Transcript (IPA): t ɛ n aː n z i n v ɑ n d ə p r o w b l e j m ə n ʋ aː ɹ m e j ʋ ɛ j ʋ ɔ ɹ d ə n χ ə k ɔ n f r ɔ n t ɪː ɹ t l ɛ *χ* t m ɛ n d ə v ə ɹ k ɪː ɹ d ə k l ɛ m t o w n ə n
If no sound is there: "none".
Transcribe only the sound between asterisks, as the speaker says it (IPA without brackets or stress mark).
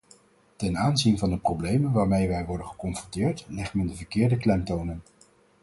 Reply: χ